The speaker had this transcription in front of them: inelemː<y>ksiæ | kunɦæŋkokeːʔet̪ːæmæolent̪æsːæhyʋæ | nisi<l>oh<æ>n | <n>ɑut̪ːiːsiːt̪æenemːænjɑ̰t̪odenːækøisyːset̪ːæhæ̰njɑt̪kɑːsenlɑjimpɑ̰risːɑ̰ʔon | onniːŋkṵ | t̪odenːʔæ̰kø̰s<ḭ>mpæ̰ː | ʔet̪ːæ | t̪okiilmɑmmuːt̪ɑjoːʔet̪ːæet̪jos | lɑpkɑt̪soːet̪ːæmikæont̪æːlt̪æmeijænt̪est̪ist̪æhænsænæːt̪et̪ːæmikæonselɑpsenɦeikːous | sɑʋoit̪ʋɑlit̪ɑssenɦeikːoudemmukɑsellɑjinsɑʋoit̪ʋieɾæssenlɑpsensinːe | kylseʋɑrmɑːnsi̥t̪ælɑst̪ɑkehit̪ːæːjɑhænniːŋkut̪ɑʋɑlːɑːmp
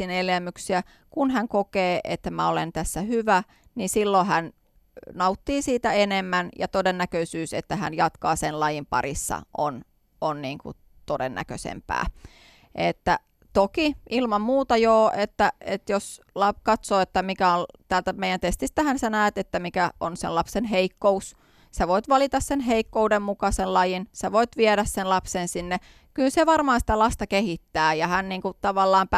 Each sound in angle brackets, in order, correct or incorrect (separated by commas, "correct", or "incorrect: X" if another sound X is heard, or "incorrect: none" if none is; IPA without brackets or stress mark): correct, incorrect: lː, correct, correct, incorrect: ḛ